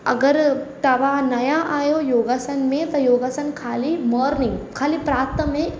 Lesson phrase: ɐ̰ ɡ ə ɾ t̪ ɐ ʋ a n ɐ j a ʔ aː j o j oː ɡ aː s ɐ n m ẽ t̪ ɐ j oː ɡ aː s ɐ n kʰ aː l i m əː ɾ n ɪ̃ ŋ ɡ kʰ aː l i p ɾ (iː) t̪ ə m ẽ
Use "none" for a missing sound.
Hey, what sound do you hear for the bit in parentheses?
aː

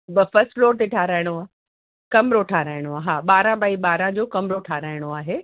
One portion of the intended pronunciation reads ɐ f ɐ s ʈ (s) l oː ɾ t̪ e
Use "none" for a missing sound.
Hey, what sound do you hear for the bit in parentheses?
f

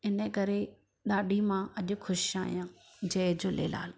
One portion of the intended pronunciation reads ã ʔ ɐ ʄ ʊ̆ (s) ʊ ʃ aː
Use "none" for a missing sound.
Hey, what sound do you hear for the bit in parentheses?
x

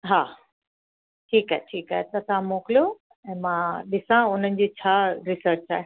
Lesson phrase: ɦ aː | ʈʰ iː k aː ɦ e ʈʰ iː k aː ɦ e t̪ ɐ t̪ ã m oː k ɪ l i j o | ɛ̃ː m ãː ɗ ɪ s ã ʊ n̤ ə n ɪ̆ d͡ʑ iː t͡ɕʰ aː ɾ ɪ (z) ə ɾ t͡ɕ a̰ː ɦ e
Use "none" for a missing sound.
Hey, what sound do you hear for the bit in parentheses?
s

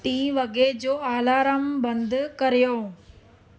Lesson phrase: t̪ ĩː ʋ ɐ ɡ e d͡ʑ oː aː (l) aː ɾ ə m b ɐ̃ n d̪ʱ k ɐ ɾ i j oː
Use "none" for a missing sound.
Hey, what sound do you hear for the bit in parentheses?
l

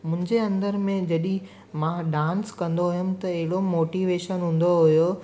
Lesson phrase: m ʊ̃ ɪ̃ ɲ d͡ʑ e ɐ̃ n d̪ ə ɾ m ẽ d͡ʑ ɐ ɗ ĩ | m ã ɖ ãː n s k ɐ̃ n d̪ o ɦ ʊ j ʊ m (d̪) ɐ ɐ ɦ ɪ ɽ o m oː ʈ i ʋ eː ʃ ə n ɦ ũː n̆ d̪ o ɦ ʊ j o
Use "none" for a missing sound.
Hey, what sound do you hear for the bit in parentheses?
t̪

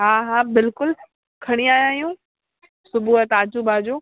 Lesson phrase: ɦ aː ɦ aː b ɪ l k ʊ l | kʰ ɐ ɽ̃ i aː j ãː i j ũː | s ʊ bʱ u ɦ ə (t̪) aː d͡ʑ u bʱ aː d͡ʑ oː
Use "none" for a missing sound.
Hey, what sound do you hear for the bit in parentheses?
t̪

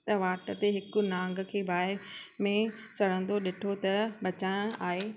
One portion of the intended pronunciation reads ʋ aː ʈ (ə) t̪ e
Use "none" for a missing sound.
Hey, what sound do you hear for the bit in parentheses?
ə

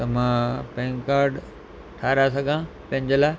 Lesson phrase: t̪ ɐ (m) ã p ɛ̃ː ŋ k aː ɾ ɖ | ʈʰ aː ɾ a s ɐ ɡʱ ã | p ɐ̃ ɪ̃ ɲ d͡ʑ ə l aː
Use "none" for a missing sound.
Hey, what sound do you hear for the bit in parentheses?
m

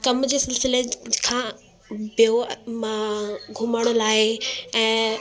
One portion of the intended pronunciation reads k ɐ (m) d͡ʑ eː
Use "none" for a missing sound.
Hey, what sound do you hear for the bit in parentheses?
m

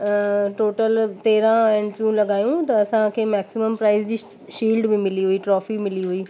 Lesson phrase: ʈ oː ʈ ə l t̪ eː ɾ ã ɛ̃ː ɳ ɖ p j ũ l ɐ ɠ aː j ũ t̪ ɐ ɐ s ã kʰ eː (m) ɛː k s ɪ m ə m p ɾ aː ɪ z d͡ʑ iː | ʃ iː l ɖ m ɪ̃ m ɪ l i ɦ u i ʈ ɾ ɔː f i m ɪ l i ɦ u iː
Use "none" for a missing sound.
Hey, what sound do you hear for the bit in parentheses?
m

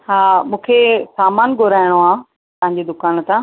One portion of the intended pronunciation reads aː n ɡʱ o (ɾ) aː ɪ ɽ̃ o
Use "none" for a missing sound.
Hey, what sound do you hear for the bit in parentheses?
ɾ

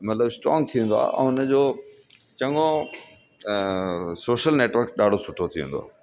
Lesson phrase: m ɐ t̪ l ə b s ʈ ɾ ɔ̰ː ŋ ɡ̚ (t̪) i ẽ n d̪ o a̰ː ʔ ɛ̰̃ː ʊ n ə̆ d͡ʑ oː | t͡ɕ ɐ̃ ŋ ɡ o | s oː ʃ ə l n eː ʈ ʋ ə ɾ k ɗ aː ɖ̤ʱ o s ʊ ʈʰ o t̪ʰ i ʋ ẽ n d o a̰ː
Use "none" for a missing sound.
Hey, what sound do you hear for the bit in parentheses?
t̪ʰ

